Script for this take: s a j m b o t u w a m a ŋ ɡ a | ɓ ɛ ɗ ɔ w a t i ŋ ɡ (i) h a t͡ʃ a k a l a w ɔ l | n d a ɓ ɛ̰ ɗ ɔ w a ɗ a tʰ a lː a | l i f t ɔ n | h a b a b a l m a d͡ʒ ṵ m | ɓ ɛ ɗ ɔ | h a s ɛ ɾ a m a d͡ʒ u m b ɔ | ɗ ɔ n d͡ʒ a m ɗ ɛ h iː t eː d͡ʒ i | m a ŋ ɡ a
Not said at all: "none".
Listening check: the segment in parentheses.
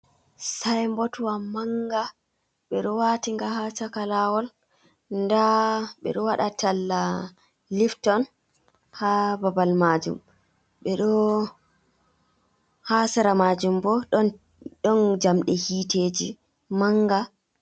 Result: a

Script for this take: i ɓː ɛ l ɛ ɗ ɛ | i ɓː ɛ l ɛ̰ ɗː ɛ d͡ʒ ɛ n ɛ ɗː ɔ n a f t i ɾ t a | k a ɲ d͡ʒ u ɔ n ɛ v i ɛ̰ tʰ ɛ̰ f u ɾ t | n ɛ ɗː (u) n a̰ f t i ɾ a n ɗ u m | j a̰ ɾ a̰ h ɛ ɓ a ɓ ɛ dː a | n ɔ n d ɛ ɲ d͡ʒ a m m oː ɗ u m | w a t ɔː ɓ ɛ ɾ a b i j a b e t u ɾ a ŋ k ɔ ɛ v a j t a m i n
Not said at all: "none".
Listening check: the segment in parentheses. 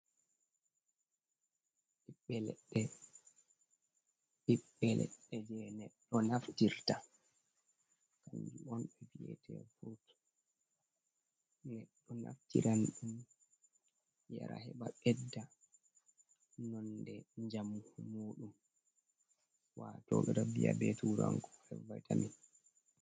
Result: ɔ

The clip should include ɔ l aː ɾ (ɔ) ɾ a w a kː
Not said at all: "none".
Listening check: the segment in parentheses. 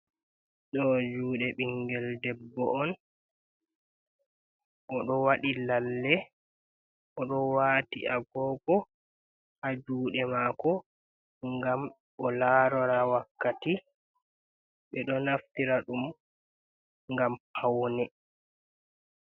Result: ɔ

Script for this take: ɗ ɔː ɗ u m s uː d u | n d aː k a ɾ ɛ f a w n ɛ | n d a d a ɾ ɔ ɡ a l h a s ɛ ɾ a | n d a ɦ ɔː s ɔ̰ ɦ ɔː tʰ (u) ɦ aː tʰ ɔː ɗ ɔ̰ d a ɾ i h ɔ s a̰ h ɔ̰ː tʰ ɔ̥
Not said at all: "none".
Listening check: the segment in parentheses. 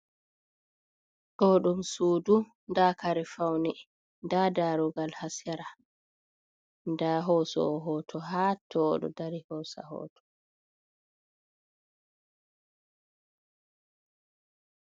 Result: ɔ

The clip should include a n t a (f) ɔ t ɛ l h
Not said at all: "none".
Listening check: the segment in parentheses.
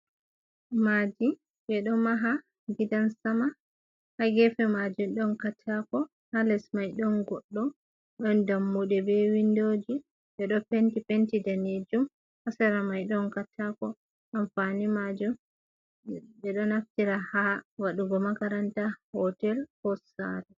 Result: h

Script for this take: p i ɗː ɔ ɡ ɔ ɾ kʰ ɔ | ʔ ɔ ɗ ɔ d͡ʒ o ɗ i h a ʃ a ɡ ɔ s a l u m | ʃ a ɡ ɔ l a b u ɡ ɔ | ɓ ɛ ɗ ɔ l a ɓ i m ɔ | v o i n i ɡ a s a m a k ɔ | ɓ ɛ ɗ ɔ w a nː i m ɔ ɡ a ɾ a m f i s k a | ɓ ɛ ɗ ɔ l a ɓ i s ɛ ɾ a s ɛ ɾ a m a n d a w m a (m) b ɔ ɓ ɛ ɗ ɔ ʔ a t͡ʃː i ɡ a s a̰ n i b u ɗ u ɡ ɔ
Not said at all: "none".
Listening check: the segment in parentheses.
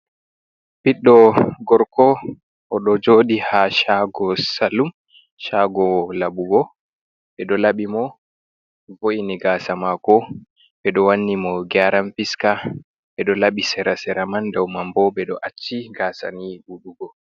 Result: m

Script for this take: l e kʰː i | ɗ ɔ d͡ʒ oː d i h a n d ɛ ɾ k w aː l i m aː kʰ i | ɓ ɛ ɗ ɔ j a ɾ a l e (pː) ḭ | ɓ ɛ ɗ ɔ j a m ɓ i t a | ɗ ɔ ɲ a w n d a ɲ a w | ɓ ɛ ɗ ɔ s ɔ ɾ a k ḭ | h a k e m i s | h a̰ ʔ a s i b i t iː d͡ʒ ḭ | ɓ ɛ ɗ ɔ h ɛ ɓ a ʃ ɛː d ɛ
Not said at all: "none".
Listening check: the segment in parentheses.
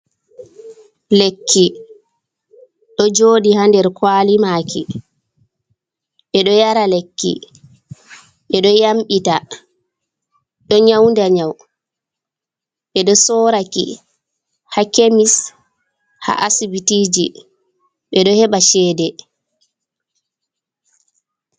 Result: kː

